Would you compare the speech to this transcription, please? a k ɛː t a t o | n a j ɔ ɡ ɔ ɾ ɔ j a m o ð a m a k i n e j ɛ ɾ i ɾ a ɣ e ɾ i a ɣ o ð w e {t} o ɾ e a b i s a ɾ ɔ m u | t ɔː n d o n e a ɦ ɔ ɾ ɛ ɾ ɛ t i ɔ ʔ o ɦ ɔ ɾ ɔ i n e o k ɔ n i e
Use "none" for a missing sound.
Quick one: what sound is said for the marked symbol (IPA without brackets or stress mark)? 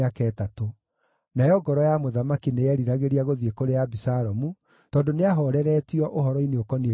k